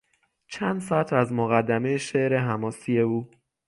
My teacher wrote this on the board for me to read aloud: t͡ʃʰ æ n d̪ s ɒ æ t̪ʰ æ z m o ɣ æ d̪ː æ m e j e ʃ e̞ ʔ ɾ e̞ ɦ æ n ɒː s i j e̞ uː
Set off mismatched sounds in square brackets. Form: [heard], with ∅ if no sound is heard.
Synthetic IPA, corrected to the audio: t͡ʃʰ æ n d̪ s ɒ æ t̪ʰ æ z m o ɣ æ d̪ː æ m e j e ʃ e̞ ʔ ɾ e̞ ɦ æ [m] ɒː s i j e̞ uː